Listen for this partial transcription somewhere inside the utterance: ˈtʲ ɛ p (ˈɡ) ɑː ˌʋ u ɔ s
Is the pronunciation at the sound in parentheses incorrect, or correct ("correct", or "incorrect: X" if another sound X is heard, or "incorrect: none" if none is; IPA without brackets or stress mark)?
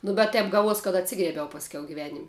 correct